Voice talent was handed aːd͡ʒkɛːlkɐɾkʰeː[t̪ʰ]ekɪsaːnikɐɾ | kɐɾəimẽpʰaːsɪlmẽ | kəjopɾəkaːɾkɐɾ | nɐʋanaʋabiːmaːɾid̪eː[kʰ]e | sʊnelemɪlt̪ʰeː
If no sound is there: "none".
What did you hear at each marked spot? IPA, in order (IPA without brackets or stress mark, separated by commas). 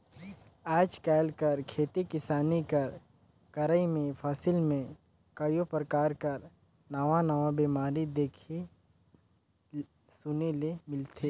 t̪, kʰ